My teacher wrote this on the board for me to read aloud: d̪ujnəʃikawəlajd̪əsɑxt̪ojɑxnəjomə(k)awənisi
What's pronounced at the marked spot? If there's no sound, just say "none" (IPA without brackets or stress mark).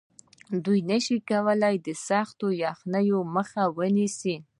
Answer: x